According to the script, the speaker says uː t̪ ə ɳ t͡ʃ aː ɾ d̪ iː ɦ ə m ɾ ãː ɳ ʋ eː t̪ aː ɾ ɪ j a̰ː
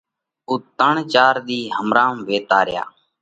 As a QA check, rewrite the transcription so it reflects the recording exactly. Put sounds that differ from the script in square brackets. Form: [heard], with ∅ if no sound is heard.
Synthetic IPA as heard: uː t̪ ə ɳ t͡ʃ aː ɾ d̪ iː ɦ ə m ɾ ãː [m] ʋ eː t̪ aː ɾ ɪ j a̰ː